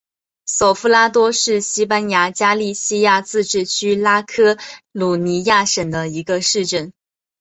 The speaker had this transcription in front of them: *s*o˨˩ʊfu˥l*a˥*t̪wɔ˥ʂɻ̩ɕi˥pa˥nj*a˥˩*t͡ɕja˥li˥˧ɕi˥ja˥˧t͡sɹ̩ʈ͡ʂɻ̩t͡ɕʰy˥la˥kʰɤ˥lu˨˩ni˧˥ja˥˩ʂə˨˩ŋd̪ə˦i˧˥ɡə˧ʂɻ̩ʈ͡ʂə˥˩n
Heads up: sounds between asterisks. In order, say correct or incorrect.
correct, correct, incorrect: a˧˥

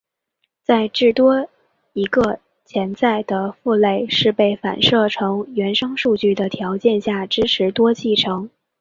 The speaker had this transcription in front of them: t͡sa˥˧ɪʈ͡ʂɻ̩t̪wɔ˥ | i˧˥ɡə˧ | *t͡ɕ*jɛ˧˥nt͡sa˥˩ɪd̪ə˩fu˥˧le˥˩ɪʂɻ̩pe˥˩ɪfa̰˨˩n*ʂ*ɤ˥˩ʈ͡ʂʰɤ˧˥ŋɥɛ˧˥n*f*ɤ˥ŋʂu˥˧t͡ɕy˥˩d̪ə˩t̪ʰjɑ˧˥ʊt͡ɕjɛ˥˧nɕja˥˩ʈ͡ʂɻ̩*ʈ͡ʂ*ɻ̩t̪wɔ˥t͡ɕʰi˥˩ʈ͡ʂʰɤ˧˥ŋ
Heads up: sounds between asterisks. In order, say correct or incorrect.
incorrect: t͡ɕʰ, correct, incorrect: ʂ, incorrect: ʈ͡ʂʰ

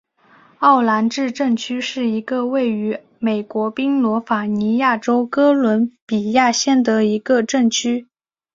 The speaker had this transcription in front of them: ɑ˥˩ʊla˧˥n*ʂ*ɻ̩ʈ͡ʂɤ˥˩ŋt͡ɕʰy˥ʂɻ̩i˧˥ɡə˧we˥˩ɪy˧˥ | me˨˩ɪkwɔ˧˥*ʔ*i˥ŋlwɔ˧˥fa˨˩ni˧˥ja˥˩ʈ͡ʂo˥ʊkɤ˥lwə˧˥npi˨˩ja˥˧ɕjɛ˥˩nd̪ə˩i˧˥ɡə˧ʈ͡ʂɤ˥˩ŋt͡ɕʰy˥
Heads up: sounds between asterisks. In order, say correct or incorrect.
incorrect: ʈ͡ʂ, incorrect: p

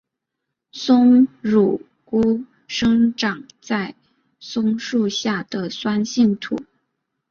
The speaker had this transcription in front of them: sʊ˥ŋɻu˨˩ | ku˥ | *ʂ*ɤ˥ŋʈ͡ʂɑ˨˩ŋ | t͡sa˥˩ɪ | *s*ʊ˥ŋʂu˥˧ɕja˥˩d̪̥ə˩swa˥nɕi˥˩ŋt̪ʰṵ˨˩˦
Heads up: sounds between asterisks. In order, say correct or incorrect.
correct, correct

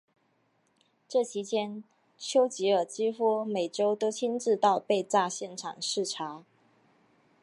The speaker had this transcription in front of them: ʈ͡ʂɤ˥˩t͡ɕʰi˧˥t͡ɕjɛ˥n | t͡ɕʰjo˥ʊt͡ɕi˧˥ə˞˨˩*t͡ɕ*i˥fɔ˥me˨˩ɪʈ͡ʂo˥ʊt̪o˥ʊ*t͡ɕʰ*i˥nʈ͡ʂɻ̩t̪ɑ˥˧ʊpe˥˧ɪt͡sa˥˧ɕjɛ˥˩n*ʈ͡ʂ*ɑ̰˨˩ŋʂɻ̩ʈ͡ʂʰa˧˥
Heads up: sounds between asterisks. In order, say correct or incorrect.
correct, correct, incorrect: ʈ͡ʂʰ

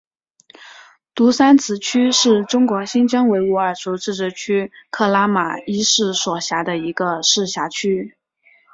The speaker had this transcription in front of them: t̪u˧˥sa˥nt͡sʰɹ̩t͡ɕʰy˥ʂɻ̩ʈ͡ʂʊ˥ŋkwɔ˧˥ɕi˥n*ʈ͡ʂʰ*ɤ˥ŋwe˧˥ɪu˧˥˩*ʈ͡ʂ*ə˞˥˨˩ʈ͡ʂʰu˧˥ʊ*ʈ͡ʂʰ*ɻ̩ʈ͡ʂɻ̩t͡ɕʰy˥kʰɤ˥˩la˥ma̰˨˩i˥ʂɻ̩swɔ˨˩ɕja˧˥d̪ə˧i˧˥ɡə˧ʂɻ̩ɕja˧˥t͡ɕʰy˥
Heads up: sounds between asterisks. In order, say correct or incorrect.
incorrect: ʈ͡ʂ, incorrect: none, incorrect: ʈ͡ʂ

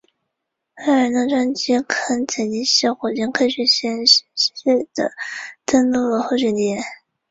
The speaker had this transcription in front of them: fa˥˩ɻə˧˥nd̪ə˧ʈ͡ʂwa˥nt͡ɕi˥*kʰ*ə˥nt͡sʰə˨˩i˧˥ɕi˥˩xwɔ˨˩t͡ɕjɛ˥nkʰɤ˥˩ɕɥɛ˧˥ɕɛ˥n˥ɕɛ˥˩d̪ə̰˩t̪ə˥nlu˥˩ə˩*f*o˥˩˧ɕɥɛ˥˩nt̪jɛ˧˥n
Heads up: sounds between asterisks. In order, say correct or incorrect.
correct, incorrect: x

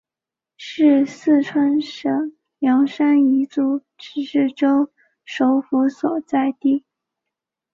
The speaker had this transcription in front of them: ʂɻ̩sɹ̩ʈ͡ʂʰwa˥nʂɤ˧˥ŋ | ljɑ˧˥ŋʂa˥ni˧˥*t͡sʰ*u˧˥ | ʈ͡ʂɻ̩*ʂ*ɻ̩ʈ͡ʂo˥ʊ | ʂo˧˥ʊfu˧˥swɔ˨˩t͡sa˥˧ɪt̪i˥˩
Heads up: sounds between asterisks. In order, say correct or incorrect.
incorrect: t͡s, correct

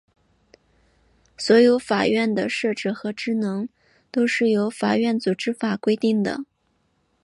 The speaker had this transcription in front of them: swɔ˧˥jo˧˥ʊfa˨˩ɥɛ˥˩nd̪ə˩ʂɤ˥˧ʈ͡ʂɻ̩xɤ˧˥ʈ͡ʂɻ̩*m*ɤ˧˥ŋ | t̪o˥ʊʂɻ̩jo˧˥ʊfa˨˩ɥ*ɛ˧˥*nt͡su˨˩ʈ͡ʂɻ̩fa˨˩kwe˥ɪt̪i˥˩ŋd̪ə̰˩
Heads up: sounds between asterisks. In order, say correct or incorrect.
incorrect: n, incorrect: ɛ˥˩

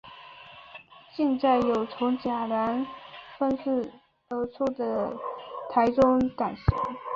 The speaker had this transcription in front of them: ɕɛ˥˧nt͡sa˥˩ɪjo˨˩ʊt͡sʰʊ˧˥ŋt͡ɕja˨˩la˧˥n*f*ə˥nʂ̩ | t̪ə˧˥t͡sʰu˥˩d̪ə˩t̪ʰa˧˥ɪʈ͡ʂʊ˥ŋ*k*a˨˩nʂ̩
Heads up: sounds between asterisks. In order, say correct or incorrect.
correct, correct

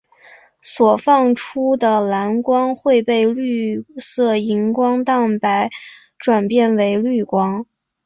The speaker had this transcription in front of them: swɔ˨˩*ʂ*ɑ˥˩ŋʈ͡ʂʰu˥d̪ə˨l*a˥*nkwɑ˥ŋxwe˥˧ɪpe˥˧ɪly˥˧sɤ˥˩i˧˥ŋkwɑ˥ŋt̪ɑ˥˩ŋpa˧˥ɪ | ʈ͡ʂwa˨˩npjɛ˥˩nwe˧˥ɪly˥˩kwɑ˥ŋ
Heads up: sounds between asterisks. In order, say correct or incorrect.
incorrect: f, incorrect: a˧˥

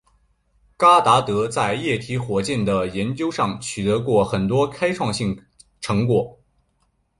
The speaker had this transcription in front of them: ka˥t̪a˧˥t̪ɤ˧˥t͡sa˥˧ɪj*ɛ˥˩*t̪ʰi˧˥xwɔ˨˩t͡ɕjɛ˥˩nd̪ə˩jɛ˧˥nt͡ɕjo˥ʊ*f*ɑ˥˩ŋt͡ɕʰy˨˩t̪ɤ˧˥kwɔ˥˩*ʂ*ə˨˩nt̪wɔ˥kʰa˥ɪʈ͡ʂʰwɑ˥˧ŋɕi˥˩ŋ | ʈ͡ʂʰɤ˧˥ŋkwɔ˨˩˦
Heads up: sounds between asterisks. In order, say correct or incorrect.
correct, incorrect: ʂ, incorrect: x

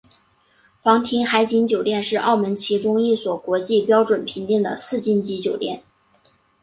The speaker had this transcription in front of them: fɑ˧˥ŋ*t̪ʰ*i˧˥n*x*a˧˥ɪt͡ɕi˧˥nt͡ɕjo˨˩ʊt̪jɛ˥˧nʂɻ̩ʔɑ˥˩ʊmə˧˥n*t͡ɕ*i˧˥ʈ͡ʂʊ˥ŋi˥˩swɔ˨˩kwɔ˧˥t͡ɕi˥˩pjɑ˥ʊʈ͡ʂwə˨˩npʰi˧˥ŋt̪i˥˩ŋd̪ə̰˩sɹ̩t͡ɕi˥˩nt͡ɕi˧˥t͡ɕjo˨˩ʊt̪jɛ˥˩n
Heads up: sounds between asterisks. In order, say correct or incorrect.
correct, correct, incorrect: t͡ɕʰ

